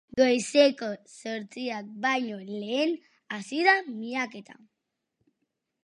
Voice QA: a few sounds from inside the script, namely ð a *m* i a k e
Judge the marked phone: correct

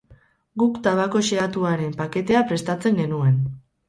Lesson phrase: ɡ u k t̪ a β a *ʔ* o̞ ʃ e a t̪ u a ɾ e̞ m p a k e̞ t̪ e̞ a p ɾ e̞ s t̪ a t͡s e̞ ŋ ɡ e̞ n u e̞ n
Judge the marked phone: incorrect: k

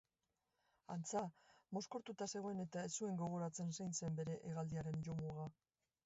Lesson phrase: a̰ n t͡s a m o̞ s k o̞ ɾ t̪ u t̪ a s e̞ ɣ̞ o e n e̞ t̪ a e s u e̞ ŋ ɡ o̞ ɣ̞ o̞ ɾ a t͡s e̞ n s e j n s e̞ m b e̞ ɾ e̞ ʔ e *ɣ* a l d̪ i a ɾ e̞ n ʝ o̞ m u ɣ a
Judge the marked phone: correct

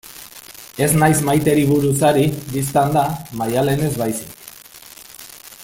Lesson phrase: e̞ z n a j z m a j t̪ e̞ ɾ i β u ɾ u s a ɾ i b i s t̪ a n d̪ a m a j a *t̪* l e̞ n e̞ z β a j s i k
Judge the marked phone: incorrect: none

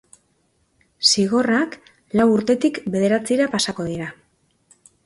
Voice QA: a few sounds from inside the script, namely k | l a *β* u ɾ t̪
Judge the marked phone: incorrect: w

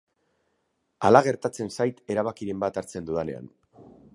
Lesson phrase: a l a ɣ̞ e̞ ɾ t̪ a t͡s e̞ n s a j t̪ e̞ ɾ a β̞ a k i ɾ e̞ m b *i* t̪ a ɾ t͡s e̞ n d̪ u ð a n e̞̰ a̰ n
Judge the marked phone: incorrect: a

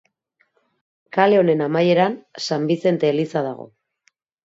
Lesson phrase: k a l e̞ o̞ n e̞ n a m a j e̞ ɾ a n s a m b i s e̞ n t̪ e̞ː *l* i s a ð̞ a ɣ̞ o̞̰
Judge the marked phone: correct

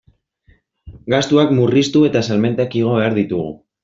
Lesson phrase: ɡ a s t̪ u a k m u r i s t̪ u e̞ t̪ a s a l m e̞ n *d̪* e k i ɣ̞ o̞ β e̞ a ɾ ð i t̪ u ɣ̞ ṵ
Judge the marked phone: incorrect: t̪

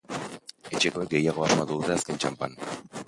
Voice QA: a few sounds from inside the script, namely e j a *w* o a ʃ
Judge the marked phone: incorrect: ɣ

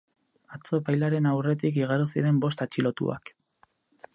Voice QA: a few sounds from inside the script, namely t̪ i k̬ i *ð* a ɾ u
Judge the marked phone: incorrect: ɣ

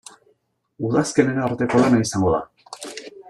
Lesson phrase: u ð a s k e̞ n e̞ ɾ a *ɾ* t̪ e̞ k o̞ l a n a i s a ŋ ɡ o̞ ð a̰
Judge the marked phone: correct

